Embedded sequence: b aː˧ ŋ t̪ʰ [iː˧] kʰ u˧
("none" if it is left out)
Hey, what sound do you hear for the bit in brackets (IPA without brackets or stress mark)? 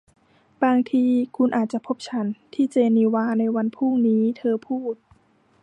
iː˧